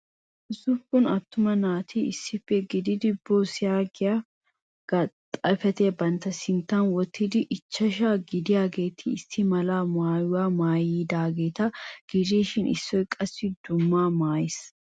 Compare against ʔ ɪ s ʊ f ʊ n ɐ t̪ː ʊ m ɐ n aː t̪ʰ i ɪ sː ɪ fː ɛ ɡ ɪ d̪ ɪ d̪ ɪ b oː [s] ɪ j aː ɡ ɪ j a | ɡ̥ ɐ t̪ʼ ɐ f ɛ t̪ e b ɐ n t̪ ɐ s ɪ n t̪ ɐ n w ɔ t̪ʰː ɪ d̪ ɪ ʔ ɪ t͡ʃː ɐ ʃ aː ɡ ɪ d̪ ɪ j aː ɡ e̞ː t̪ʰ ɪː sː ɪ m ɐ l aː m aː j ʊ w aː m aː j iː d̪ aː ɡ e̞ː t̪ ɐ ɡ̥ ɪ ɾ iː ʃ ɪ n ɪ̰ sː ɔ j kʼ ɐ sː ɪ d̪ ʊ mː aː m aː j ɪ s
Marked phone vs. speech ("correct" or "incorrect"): correct